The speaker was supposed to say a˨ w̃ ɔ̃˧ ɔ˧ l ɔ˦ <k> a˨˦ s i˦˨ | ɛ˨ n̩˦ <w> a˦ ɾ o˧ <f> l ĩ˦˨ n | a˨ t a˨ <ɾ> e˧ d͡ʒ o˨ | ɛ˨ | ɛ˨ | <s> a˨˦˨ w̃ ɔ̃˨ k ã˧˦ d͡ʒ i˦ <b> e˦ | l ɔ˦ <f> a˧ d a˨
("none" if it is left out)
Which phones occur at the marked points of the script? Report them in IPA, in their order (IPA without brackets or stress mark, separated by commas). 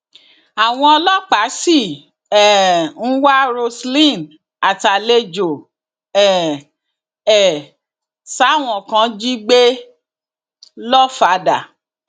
k͡p, w, s, l, s, ɡ͡b, f